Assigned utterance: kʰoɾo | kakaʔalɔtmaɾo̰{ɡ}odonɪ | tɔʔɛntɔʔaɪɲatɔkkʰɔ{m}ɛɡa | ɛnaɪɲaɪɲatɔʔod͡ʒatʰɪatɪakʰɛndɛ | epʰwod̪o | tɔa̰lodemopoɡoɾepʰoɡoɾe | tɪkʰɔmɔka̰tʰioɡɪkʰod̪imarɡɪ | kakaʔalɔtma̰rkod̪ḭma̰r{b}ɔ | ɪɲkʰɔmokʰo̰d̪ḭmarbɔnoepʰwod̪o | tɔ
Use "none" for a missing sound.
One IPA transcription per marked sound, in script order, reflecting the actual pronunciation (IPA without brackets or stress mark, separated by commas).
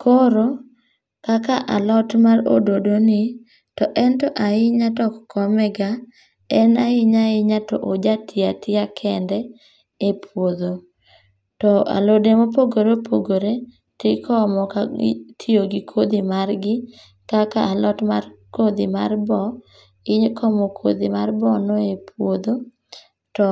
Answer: d, m, b